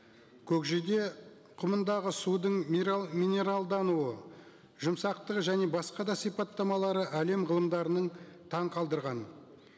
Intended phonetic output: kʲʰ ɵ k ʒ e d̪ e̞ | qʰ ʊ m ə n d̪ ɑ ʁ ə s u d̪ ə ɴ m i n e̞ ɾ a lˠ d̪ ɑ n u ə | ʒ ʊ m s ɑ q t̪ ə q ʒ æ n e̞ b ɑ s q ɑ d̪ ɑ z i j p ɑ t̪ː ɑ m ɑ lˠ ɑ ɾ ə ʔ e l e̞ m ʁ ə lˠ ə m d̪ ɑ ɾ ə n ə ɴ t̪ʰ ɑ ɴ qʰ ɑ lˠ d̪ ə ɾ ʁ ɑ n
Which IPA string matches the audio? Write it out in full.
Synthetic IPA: kʲʰ ɵ k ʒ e d̪ e̞ | qʰ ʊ m ə n d̪ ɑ ʁ ə s u d̪ ə ɴ m i n e̞ ɾ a lˠ d̪ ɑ n u ə | ʒ ʊ m s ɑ q t̪ ə q ʒ æ n e̞ b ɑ s q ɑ d̪ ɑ s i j p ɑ t̪ː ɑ m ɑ lˠ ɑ ɾ ə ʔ æ l e̞ m ʁ ə lˠ ə m d̪ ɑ ɾ ə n ə ɴ t̪ʰ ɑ ɴ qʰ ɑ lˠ d̪ ə ɾ ʁ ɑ n